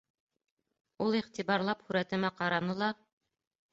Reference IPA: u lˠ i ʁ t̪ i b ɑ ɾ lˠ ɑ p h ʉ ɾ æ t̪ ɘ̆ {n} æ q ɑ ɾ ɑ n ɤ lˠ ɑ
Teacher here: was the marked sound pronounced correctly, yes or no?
no